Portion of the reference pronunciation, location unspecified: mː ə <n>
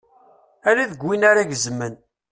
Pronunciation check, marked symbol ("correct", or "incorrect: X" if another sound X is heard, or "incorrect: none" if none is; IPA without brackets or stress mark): correct